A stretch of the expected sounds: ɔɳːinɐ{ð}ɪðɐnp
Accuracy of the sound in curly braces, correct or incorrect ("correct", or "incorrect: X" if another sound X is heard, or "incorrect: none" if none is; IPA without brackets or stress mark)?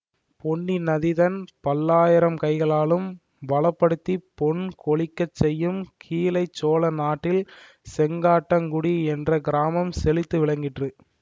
correct